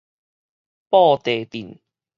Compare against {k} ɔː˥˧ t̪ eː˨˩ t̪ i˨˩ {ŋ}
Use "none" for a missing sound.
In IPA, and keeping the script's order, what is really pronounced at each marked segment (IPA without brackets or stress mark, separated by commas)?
p, n